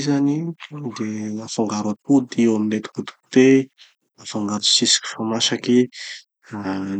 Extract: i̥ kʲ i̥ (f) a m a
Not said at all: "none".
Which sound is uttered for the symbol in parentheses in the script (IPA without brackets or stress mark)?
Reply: f